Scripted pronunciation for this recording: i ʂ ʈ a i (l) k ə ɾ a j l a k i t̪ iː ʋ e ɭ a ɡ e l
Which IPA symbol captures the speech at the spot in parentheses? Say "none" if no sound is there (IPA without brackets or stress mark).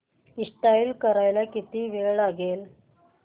l